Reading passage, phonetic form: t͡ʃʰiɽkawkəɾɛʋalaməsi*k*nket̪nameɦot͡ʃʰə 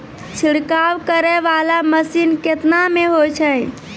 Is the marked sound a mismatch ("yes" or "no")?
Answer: yes